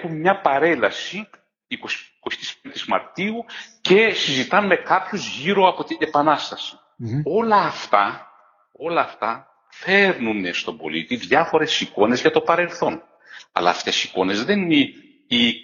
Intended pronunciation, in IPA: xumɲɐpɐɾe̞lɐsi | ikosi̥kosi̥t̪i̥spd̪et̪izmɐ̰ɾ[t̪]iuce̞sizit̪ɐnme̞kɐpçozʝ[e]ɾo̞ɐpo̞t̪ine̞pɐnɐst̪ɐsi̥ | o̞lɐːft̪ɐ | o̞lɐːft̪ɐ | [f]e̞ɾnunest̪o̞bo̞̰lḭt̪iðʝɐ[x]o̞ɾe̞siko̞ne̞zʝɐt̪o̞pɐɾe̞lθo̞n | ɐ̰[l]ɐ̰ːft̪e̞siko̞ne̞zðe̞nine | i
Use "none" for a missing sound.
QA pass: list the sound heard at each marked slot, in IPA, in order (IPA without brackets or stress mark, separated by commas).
t̪, i, f, f, l